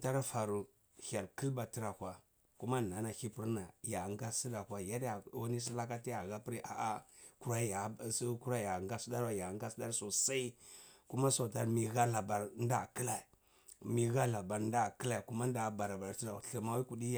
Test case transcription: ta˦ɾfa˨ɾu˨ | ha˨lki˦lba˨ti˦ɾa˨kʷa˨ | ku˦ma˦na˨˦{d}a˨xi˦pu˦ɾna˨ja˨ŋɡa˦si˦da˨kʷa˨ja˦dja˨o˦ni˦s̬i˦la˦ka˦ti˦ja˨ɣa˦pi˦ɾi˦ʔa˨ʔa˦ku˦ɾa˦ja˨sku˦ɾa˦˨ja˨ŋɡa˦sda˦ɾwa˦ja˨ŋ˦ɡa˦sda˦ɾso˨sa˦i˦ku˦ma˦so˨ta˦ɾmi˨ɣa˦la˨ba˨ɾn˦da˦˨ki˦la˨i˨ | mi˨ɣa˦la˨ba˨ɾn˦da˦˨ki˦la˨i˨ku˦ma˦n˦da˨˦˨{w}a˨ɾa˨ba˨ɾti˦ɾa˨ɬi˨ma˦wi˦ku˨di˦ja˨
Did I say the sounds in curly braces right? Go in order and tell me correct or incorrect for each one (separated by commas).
incorrect, incorrect